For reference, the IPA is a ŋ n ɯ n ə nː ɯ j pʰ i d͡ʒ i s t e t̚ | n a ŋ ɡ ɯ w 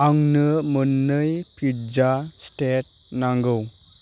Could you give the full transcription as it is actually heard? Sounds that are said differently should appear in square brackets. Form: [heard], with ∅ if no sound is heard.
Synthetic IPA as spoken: a ŋ n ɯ [m] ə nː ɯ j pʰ i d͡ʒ [a] s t e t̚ | n a ŋ ɡ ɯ w